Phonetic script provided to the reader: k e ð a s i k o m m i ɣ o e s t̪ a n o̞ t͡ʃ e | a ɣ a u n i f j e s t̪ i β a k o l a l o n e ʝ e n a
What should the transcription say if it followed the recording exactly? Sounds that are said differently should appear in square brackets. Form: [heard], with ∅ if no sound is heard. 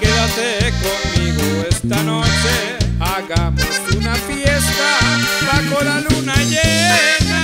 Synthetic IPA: k e ð a s [e] k o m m i ɣ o e s t̪ a n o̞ t͡ʃ e | a ɣ a u n [a] f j e s t̪ [a] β a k o l a l [u] n [a] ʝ e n a